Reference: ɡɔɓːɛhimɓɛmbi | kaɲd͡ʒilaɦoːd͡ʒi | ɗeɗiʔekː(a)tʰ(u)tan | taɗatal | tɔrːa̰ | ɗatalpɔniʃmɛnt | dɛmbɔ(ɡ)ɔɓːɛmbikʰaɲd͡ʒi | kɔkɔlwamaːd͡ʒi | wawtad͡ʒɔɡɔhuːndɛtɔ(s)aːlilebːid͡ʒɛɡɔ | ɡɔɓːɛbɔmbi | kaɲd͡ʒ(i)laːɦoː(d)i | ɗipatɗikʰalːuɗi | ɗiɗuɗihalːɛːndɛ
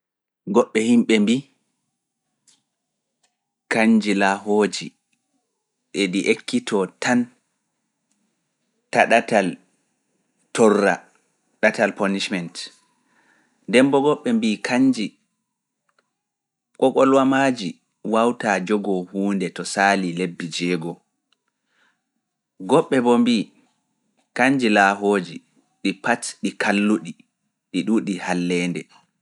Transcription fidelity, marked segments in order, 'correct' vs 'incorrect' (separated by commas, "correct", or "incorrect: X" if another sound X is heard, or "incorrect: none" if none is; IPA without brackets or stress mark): incorrect: i, incorrect: ɔ, correct, correct, correct, incorrect: d͡ʒ